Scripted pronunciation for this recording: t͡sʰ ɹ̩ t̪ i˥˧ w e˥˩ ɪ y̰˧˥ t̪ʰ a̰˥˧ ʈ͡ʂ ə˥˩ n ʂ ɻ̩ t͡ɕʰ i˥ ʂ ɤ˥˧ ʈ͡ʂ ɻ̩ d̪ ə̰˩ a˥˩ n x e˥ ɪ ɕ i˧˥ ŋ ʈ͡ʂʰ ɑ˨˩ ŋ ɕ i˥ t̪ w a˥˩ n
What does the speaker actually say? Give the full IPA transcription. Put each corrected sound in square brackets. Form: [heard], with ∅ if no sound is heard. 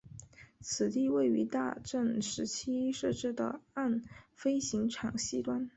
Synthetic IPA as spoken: t͡sʰ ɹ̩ t̪ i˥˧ w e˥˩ ɪ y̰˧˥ [t̪] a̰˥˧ ʈ͡ʂ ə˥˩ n ʂ ɻ̩ t͡ɕʰ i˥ ʂ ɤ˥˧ ʈ͡ʂ ɻ̩ d̪ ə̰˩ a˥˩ n [f] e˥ ɪ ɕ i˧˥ ŋ ʈ͡ʂʰ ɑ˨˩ ŋ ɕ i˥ t̪ w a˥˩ n